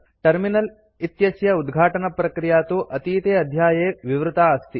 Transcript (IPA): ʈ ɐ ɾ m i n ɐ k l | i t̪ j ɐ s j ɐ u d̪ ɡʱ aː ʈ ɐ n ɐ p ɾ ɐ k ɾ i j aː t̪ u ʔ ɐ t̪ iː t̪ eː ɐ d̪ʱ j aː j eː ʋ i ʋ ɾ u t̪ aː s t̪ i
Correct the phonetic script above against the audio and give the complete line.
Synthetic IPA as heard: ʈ ɐ ɾ m i n ɐ l | i t̪ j ɐ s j ɐ u d̪ ɡʱ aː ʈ ɐ n ɐ p ɾ ɐ k ɾ i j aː t̪ u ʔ ɐ t̪ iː t̪ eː ɐ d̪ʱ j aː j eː ʋ i ʋ ɾ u t̪ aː s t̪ i